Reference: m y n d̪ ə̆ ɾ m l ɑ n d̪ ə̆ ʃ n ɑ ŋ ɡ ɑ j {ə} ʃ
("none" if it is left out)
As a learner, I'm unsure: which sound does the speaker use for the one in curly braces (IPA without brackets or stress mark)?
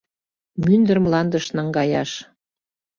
ɑ